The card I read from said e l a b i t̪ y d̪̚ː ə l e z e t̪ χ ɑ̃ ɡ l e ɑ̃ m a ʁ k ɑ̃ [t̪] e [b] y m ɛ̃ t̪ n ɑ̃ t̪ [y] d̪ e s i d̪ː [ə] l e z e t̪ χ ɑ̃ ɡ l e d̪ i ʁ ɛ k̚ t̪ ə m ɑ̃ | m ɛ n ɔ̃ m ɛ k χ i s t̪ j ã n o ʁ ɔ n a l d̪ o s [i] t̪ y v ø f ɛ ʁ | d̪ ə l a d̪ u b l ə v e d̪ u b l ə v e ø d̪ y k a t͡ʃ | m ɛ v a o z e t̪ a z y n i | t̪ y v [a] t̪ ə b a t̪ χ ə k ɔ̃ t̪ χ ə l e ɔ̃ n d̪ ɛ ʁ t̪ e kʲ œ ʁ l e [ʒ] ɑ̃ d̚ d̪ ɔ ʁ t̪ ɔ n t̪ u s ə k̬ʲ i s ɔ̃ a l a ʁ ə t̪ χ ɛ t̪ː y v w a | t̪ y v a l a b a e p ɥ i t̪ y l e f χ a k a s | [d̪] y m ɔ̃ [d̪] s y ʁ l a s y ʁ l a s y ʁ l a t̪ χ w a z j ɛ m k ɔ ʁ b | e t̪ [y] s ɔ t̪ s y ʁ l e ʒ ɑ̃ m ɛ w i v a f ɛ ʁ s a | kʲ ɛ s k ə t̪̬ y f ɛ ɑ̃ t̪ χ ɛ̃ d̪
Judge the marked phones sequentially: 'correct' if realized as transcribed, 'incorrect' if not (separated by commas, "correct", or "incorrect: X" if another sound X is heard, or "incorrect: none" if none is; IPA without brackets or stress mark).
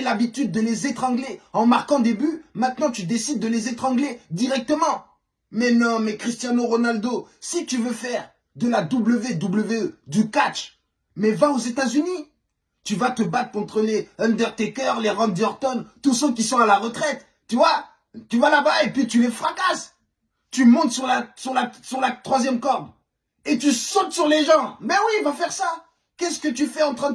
incorrect: d̪, correct, correct, correct, correct, correct, incorrect: ʁ, incorrect: t̪, incorrect: t̪, correct